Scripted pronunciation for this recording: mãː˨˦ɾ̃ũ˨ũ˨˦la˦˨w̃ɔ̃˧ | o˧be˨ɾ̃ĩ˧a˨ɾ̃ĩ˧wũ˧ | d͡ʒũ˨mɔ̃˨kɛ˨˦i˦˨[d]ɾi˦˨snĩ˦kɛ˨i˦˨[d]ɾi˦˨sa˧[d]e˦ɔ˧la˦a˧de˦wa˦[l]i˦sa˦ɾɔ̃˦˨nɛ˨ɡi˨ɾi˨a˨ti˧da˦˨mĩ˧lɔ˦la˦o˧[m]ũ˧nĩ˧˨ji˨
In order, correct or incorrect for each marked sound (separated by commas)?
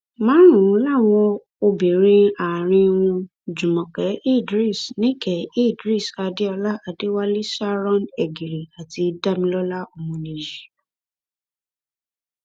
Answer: correct, correct, correct, correct, correct